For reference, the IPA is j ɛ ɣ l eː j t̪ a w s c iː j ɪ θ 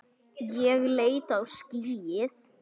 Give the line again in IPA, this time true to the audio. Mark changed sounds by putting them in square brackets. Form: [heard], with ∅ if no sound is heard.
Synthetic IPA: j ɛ ɣ l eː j t̪ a w s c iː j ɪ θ